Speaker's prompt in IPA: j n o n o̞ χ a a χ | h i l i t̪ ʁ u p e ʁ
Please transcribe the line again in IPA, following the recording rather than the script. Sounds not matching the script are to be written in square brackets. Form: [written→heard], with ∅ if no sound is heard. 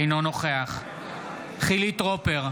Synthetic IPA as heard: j n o n o̞ χ [a→e] a χ | [h→χ] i l i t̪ ʁ [u→o] p e ʁ